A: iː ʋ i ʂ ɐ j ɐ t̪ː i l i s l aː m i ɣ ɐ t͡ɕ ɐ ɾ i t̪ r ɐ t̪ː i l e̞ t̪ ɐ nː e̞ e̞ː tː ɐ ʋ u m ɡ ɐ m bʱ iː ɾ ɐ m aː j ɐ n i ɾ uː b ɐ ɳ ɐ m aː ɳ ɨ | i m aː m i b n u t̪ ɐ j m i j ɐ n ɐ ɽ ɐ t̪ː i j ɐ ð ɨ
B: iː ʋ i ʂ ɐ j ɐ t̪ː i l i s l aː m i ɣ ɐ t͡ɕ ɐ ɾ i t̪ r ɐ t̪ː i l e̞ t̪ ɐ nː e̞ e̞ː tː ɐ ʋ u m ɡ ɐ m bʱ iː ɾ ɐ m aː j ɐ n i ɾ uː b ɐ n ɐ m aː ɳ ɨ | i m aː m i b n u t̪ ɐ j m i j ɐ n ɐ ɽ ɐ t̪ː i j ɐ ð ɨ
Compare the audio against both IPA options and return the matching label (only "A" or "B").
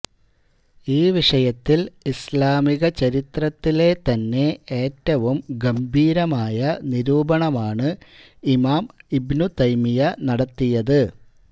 A